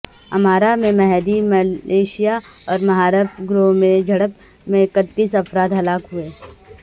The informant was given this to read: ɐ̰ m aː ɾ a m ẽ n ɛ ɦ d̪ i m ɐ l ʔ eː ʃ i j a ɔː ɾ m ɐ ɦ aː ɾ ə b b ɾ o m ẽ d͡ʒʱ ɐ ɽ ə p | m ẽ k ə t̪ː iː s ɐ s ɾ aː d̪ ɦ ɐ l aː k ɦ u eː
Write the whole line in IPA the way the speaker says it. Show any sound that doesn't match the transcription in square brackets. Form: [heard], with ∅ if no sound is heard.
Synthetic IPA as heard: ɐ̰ m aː ɾ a m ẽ [m] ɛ ɦ d̪ i m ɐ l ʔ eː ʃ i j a ɔː ɾ m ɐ ɦ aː ɾ ə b [ɡ] ɾ o m ẽ d͡ʒʱ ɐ ɽ ə p | m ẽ k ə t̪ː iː s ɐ [f] ɾ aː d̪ ɦ ɐ l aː k ɦ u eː